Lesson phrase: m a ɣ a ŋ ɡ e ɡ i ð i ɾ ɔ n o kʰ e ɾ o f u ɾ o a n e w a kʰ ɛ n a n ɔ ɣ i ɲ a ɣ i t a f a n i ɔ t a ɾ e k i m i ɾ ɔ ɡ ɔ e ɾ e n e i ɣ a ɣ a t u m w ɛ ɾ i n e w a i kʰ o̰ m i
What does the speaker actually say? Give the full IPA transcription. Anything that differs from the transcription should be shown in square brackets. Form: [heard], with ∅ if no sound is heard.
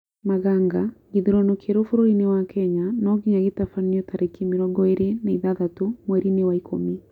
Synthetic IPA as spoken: m a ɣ a ŋ ɡ [a] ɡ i ð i ɾ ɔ n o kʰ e ɾ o f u ɾ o [i] n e w a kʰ ɛ [ɲ] a n ɔ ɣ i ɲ a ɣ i t a f a n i ɔ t a ɾ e k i m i ɾ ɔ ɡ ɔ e ɾ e n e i [ð] a [ð] a t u m w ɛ ɾ i n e w a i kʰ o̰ m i